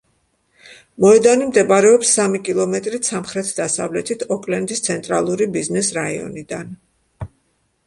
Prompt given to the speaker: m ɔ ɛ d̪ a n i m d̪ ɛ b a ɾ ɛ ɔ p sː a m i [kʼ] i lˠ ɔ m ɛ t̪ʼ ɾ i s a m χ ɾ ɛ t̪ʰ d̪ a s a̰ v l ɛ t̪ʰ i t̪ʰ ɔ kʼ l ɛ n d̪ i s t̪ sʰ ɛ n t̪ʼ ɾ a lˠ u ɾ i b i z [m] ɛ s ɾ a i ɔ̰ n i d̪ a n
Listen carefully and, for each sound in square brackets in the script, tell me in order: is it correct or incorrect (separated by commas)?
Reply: correct, incorrect